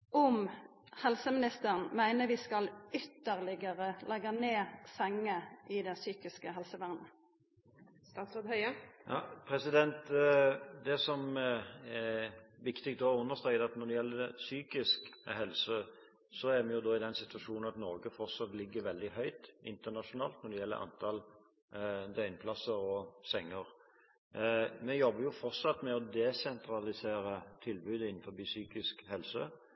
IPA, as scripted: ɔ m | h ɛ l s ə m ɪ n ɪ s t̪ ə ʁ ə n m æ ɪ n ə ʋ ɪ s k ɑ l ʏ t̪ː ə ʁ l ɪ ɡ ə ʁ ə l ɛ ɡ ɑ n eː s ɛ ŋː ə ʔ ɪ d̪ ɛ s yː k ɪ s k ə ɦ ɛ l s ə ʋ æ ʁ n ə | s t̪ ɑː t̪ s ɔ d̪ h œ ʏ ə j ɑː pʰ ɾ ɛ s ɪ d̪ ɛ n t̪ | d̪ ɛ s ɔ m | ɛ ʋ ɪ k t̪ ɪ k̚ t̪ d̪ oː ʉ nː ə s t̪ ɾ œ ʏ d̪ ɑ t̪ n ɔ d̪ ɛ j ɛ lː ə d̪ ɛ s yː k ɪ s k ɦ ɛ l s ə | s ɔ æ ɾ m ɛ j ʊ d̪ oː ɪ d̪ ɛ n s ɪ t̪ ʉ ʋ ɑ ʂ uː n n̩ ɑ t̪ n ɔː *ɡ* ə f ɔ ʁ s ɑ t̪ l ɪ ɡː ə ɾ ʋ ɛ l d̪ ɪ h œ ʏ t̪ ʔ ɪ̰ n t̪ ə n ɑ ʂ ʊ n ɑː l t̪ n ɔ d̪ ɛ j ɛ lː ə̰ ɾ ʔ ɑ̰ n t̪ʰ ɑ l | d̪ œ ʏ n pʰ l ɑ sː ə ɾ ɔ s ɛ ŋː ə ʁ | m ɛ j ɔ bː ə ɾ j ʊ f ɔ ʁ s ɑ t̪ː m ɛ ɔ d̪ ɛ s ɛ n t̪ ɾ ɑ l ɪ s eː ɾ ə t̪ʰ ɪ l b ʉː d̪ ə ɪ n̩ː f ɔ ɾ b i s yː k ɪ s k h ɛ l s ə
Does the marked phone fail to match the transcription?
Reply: no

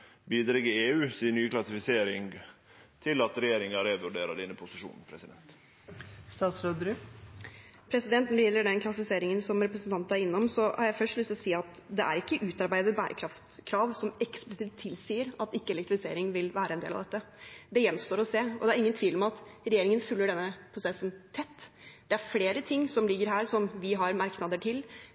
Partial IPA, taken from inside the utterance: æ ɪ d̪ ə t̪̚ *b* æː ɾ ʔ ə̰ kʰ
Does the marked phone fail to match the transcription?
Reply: no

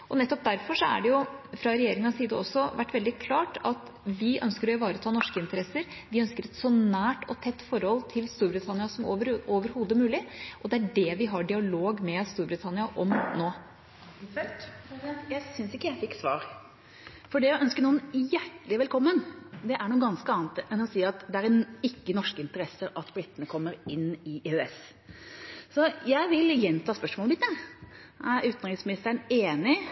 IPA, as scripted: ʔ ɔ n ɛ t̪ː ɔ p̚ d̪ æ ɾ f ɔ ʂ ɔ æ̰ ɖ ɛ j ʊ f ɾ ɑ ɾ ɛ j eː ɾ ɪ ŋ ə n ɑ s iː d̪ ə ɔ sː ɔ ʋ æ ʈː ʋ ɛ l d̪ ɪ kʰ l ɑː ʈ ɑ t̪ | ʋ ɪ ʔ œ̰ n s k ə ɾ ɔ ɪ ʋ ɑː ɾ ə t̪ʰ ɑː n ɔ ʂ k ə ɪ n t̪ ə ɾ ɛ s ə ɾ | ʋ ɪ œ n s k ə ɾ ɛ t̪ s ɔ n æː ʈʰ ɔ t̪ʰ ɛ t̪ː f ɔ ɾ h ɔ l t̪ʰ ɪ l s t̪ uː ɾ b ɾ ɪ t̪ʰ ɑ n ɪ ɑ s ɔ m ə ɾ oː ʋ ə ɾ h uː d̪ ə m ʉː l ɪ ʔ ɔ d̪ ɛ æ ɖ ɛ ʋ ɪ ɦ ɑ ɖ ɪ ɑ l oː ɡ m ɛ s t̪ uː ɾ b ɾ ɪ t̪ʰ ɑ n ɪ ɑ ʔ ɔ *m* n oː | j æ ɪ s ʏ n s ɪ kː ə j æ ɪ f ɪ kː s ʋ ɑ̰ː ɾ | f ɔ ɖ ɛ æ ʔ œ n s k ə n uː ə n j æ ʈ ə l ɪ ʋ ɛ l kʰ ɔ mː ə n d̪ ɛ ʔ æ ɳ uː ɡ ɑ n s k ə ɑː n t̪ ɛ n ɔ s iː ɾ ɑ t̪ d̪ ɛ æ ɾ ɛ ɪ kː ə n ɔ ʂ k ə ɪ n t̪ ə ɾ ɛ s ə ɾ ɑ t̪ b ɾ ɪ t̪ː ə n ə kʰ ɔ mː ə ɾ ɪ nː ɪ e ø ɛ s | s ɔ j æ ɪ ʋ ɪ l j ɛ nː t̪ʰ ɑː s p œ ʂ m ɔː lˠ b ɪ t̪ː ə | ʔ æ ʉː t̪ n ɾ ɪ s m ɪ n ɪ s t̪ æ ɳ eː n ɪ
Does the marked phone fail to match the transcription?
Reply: no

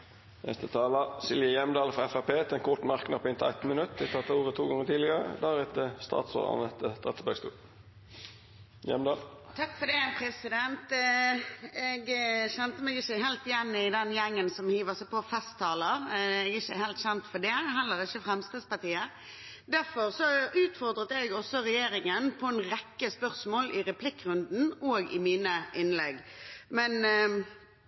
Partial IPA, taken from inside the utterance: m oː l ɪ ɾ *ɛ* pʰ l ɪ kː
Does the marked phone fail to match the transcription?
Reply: no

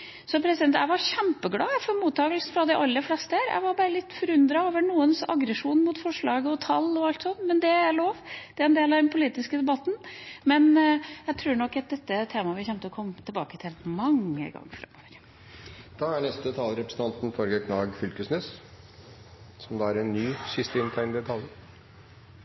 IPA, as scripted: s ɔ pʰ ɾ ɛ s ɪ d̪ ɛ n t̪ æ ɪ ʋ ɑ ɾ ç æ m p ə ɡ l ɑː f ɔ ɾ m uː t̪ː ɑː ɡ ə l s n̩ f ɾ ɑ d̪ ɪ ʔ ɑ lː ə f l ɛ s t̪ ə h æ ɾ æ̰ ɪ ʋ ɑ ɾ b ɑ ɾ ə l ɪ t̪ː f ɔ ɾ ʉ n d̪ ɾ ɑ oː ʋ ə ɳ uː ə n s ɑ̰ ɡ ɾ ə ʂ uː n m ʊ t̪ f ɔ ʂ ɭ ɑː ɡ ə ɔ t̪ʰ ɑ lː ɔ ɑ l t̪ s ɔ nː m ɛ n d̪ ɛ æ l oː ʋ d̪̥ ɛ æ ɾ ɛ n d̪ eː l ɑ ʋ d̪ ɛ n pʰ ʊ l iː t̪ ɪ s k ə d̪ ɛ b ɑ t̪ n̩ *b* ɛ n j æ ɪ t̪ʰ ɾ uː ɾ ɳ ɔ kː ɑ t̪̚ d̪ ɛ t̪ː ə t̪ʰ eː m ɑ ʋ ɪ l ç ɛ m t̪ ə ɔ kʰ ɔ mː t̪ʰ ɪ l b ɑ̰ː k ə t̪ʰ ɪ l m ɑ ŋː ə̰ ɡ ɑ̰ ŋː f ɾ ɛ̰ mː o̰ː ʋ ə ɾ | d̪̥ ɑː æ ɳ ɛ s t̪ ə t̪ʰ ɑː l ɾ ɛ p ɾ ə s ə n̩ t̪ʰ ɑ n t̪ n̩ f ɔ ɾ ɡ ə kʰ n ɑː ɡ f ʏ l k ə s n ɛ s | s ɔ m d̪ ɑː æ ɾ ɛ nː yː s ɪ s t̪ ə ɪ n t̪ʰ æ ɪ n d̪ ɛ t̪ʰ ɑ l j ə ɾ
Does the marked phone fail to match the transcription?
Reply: yes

